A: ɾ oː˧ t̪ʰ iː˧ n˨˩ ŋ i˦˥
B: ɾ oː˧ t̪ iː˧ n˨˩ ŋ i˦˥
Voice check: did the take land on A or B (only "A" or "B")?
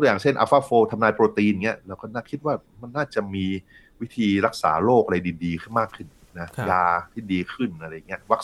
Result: B